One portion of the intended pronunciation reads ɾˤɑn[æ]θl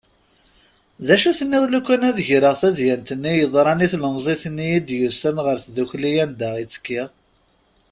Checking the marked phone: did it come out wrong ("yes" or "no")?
yes